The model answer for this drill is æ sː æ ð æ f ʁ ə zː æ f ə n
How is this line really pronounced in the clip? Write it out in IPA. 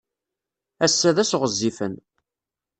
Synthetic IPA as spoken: æ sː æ ð æ s ʁ ə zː i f ə n

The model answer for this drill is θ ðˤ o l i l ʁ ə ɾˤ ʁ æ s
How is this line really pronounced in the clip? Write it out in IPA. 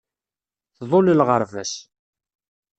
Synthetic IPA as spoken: θ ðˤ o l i l ʁ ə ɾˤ v æ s

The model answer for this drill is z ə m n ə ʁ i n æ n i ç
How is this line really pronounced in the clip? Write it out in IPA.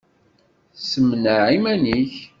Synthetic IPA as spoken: s ə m n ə ʕ i m æ n i ç

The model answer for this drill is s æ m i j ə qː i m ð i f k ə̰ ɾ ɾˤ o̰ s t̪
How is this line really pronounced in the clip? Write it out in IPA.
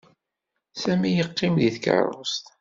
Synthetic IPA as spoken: s æ m i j ə qː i m ð i θ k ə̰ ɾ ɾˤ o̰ s t̪

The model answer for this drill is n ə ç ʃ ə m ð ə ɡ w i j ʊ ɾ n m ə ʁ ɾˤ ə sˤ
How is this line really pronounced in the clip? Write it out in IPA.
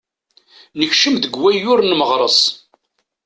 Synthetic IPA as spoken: n ə ç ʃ ə m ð ə ɡ w æ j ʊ ɾ n m ə ʁ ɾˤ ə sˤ

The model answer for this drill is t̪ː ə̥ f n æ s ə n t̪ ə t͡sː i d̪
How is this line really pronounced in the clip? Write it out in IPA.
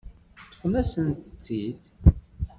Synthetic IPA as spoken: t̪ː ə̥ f n æ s ə n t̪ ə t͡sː i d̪

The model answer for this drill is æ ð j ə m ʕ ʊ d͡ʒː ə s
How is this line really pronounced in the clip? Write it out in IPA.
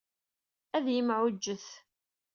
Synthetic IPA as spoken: æ ð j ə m ʕ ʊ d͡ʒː ə θ

